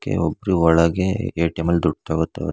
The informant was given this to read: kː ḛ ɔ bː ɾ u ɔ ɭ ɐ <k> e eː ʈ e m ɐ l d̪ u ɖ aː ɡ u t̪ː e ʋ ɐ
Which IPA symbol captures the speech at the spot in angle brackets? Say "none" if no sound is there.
ɡ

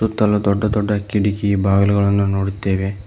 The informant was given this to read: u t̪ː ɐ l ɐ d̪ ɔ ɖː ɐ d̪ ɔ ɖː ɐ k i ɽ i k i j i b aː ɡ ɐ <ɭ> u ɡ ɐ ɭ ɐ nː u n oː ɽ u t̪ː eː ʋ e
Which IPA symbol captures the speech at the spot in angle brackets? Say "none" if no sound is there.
l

